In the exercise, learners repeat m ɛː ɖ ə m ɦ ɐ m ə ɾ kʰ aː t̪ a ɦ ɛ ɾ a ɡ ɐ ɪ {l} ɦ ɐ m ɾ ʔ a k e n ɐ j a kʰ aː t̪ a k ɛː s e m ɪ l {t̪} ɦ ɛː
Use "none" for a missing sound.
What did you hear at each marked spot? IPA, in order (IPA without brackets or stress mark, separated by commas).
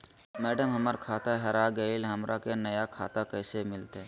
l, t̪